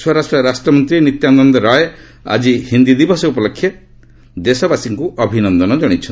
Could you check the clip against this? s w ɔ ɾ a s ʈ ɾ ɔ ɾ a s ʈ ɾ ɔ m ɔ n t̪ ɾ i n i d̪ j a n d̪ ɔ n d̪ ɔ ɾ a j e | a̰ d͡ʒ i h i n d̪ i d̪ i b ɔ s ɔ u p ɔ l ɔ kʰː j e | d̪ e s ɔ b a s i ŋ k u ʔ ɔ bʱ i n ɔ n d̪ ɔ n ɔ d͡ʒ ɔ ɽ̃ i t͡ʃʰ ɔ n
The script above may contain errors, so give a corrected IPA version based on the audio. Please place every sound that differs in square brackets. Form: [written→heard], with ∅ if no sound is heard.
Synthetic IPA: s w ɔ ɾ a s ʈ ɾ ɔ ɾ a s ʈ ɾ ɔ m ɔ n t̪ ɾ i n i [d̪→t̪] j a n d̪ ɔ n d̪ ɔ ɾ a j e | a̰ d͡ʒ i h i n d̪ i d̪ i b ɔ s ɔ u p ɔ l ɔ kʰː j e | d̪ e s ɔ b a s i ŋ k u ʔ ɔ bʱ i n ɔ n d̪ ɔ n ɔ d͡ʒ ɔ ɽ̃ i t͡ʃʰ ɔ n